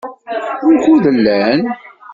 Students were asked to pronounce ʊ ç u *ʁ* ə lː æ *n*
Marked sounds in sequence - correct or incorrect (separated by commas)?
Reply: incorrect, correct